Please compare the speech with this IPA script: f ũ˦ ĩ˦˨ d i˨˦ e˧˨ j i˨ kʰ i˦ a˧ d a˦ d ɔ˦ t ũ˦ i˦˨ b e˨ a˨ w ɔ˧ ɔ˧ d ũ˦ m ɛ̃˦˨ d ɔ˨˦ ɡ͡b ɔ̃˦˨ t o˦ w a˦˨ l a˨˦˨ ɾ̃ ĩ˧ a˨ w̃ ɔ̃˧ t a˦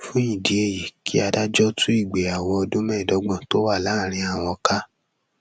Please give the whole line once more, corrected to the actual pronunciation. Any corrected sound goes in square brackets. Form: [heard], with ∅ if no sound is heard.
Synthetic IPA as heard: f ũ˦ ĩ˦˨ d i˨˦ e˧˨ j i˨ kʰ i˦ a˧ d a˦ [d͡ʒ] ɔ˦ t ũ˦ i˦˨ [ɡ͡b] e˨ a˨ w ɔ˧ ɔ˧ d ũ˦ m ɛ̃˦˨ d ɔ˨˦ ɡ͡b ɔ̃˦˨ t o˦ w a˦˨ l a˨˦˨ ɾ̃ ĩ˧ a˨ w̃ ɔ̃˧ [k] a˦